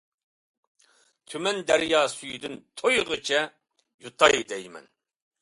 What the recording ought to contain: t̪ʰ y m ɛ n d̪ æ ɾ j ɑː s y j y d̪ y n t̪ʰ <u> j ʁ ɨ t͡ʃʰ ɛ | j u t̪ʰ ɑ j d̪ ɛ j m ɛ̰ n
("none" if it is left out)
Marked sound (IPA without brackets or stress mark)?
o